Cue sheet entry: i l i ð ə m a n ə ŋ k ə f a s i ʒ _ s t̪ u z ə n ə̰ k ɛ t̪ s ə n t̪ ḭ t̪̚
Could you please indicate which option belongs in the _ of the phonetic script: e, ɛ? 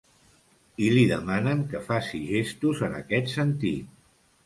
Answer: e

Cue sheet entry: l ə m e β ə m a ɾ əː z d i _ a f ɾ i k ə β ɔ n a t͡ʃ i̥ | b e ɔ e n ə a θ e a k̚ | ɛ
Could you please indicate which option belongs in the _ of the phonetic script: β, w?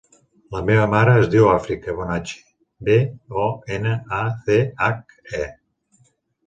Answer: w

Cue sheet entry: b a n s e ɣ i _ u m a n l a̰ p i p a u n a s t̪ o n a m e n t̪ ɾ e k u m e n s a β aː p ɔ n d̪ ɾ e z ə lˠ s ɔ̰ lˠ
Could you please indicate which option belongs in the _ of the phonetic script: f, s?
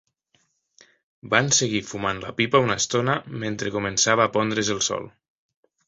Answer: f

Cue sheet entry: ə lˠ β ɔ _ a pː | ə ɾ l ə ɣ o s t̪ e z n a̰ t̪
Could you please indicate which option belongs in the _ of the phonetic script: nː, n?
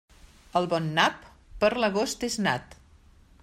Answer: nː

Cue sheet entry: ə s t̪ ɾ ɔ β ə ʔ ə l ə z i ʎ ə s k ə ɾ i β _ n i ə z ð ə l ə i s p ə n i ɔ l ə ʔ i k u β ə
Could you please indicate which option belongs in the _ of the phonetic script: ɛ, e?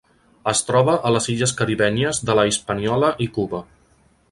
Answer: ɛ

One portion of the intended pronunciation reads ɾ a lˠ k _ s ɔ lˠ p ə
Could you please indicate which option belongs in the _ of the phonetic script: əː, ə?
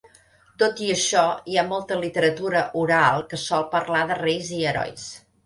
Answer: ə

